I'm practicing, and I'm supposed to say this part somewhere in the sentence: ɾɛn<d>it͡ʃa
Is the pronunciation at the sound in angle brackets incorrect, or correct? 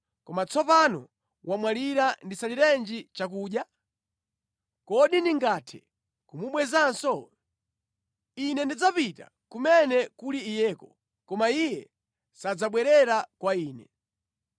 incorrect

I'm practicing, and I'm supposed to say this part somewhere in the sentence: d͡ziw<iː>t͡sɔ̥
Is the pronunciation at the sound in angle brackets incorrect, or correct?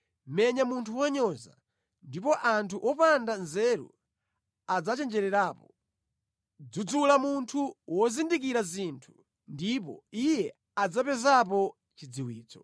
correct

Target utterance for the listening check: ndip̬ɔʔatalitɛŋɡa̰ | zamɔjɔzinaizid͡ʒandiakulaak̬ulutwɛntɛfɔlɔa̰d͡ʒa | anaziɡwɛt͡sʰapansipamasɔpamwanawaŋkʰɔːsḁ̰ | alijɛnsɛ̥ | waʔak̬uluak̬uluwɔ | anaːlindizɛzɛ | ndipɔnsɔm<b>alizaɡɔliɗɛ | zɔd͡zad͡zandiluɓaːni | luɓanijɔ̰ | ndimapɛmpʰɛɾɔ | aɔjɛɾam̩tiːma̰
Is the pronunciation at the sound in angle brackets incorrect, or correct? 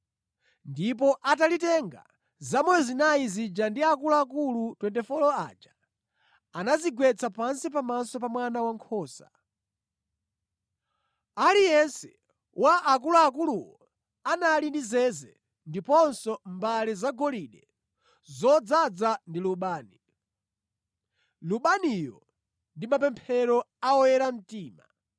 correct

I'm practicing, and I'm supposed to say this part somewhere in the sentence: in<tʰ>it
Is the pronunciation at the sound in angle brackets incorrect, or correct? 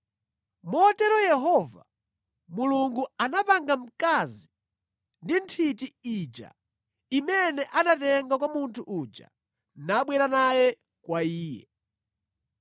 correct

